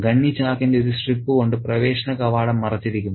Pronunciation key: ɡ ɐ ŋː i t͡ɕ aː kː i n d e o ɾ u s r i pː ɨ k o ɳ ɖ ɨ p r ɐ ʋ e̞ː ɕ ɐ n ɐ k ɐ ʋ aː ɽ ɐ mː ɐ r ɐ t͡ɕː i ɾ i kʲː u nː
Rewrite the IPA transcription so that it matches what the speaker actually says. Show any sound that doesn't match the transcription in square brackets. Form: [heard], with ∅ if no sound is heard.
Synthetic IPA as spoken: ɡ ɐ [ɳː] i t͡ɕ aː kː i n d e o ɾ u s r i pː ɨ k o ɳ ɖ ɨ p r ɐ ʋ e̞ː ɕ ɐ n ɐ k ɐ ʋ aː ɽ ɐ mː ɐ r ɐ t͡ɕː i ɾ i kʲː u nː